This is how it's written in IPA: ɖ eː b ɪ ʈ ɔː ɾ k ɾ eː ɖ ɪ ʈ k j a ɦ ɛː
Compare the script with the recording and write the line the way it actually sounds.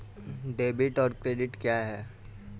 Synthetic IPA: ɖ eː b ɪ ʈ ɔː ɾ k ɾ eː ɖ ɪ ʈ k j a ɦ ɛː